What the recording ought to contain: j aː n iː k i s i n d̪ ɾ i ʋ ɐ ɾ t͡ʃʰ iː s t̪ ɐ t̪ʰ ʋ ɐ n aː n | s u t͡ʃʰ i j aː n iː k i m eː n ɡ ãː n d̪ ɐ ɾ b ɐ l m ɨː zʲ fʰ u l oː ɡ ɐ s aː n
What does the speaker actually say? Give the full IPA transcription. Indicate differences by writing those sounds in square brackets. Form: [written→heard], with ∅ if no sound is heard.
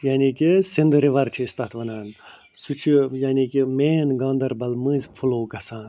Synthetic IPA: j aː n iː k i s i n d̪ ɾ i ʋ ɐ ɾ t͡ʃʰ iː s t̪ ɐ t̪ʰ ʋ ɐ n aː n | s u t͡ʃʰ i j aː n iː k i m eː n ɡ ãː n d̪ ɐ ɾ b ɐ l m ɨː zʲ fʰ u l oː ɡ ɐ s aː n